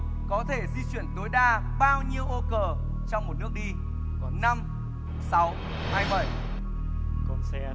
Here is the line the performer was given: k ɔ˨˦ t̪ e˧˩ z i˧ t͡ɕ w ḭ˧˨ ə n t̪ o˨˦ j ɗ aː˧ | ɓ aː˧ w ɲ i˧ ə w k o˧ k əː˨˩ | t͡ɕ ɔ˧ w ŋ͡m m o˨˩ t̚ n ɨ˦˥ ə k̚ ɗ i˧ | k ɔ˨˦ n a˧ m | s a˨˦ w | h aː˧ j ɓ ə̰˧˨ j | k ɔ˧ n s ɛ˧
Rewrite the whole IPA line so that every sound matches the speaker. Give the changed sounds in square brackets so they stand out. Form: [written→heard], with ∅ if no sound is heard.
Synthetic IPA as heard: k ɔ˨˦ [t̪→t̪ʰ] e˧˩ z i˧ t͡ɕ w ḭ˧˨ ə n t̪ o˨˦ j ɗ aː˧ | ɓ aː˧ w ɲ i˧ ə w [k→ʔ] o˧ k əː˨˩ | t͡ɕ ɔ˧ w ŋ͡m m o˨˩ t̚ n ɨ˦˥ ə k̚ ɗ i˧ | k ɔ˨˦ n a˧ m | s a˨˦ w | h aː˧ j ɓ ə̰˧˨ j | k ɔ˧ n s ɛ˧

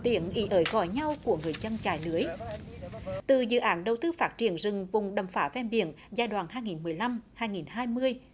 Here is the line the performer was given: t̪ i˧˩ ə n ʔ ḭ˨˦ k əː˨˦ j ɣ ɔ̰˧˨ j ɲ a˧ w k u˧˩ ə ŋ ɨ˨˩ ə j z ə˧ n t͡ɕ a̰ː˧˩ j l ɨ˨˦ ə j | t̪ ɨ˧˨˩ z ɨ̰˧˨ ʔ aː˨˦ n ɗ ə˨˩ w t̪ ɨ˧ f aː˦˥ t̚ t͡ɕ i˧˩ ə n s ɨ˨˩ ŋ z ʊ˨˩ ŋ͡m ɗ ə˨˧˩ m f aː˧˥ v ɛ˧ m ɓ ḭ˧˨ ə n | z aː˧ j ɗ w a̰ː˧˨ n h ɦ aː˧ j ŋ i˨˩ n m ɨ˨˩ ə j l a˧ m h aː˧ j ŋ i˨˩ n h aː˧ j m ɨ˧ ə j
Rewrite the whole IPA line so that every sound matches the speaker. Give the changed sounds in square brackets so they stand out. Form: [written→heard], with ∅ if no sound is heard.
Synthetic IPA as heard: t̪ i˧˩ ə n ʔ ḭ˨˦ [k→ʔ] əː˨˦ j ɣ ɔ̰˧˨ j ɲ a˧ w k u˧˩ ə ŋ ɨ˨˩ ə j z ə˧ n t͡ɕ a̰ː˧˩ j l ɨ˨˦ ə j | t̪ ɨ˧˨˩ z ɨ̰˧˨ ʔ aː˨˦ n ɗ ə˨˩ w t̪ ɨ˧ f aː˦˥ t̚ t͡ɕ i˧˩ ə n [s→z] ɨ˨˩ ŋ [z→v] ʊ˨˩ ŋ͡m ɗ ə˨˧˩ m f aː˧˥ v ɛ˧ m ɓ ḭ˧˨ ə n | z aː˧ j ɗ w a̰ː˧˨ n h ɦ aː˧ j ŋ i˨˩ n m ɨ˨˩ ə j l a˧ m h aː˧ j ŋ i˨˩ n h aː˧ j m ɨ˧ ə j

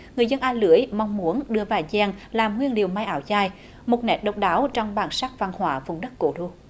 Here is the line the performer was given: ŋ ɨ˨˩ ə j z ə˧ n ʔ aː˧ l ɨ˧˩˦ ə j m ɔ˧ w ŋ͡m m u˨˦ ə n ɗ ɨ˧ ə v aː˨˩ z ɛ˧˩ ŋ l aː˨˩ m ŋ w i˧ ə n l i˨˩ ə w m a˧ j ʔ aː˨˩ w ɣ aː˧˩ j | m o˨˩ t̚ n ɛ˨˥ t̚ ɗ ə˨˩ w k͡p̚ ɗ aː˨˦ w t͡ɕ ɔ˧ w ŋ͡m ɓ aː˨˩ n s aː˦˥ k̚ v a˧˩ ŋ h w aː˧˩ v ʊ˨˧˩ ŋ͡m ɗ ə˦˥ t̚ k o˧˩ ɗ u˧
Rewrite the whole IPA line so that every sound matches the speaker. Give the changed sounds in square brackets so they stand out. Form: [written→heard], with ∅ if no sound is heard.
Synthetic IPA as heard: ŋ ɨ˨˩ ə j z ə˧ n ʔ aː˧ l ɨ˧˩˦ ə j m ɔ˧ w ŋ͡m m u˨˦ ə n ɗ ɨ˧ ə v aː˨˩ z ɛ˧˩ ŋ l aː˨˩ m ŋ w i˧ ə n l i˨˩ ə w m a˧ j ʔ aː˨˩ w [ɣ→z] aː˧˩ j | m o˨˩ t̚ n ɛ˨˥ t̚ ɗ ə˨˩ w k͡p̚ ɗ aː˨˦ w t͡ɕ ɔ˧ w ŋ͡m ɓ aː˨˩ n s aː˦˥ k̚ v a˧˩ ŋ h w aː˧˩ v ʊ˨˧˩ ŋ͡m ɗ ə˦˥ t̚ k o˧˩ ɗ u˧

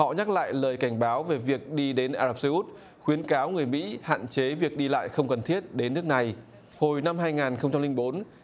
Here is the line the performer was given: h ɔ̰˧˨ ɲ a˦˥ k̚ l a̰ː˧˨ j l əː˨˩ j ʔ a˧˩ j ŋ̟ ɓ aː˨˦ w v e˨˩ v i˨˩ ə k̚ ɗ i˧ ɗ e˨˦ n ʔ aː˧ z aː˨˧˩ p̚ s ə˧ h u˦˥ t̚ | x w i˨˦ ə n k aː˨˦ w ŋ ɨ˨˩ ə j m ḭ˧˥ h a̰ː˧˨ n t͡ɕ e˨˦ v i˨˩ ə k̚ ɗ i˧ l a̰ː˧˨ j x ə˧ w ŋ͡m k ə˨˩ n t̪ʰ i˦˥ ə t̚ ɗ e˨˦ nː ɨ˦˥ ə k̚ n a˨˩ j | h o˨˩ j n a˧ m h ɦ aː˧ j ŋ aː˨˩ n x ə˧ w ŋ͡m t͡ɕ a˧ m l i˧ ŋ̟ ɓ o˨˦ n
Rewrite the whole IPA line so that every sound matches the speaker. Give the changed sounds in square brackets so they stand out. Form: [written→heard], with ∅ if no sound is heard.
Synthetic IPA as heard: h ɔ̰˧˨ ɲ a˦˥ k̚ l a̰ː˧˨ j l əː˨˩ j [ʔ→k] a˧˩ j ŋ̟ ɓ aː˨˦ w v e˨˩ v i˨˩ ə k̚ ɗ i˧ ɗ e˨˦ n ʔ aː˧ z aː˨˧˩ p̚ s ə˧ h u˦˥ t̚ | x w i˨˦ ə n k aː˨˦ w ŋ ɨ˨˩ ə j m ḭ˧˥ h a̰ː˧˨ n t͡ɕ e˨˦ v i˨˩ ə k̚ ɗ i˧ l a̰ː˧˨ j x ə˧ w ŋ͡m k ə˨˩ n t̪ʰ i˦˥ ə t̚ ɗ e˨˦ nː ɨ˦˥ ə k̚ n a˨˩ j | h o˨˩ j n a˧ m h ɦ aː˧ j ŋ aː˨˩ n x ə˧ w ŋ͡m t͡ɕ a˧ m l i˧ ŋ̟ ɓ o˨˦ n

